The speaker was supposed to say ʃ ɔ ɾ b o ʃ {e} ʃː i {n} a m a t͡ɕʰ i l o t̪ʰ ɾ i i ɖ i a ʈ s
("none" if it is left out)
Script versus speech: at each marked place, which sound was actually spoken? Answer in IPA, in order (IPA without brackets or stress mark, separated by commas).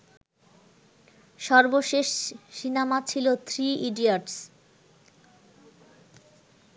e, n